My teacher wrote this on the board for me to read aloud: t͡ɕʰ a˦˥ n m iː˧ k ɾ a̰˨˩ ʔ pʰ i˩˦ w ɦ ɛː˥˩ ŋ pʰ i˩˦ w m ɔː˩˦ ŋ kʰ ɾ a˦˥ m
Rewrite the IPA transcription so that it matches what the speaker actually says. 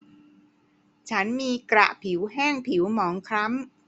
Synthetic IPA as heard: t͡ɕʰ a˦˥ n m iː˧ k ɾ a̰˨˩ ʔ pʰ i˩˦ w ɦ ɛː˥˩ ŋ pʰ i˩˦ w m ɔː˩˦ ŋ kʰ ɾ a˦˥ m